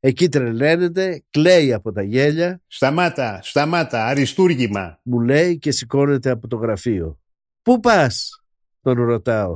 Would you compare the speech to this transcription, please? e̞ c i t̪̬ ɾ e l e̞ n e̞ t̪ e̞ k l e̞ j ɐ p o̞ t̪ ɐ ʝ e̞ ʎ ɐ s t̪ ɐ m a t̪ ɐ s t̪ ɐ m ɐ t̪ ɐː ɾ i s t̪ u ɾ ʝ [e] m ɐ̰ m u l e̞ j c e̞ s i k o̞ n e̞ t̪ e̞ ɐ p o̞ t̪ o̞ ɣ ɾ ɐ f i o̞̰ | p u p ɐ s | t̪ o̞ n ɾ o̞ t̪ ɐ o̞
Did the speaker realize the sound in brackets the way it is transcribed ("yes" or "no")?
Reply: no